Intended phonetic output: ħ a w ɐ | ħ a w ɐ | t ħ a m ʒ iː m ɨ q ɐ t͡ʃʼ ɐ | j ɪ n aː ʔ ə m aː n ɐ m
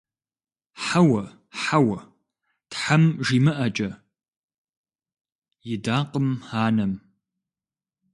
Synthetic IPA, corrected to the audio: ħ a w ɐ | ħ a w ɐ | t ħ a m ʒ iː m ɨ ʔ ɐ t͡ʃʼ ɐ | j ɪ d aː q ə m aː n ɐ m